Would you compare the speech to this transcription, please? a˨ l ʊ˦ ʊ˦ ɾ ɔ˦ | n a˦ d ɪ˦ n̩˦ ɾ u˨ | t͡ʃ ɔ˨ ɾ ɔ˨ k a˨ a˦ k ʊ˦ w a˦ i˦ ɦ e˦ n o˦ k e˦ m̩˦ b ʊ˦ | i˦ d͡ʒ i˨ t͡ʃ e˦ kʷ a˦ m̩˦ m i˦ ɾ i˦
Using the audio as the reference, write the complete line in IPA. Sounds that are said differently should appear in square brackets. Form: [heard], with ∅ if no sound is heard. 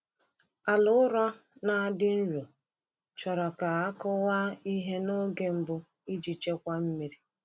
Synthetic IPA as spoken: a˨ l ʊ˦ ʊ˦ ɾ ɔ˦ | n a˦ d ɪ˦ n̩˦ ɾ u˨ | t͡ʃ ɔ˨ ɾ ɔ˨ k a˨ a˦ k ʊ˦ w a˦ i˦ ɦ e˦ n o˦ [ɡ] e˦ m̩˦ b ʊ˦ | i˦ d͡ʒ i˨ t͡ʃ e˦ kʷ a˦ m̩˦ m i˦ ɾ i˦